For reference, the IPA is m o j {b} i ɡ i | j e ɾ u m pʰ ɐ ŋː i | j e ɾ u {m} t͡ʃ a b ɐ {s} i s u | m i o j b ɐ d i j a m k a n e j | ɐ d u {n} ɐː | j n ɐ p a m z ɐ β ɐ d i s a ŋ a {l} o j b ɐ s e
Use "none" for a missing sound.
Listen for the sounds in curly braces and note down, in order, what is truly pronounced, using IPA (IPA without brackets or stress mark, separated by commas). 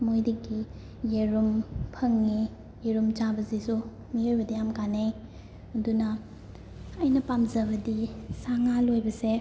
d, m, z, n, l